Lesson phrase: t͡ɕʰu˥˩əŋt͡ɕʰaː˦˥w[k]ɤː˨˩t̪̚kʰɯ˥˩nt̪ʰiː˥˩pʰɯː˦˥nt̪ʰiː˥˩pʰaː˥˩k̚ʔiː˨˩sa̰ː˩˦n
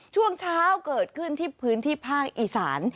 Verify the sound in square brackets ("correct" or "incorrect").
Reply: correct